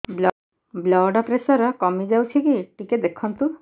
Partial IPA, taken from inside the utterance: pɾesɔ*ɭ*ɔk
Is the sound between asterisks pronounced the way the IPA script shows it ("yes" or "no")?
no